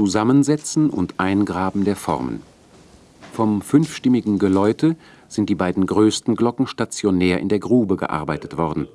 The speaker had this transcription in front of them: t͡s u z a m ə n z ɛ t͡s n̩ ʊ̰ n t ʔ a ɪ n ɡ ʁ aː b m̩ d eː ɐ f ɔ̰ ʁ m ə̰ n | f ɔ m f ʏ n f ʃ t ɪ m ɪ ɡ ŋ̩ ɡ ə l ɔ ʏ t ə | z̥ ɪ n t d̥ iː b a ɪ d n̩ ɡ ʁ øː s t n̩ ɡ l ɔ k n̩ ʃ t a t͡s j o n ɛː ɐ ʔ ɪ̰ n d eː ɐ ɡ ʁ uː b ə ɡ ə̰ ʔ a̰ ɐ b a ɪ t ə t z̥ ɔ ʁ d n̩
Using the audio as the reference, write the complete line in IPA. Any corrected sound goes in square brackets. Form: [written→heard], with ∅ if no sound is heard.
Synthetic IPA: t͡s u z a m ə n z ɛ t͡s n̩ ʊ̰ n t ʔ a ɪ n ɡ ʁ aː b m̩ d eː ɐ f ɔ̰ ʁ m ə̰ n | f ɔ m f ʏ n f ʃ t ɪ m ɪ ɡ ŋ̩ ɡ ə l ɔ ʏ t ə | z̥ ɪ n t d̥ iː b a ɪ d n̩ ɡ ʁ øː s t n̩ ɡ l ɔ k [n̩→ŋ̩] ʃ t a t͡s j o n ɛː ɐ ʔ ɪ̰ n d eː ɐ ɡ ʁ uː b ə ɡ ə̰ ʔ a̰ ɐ b a ɪ t ə t [z̥→v̥] ɔ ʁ d n̩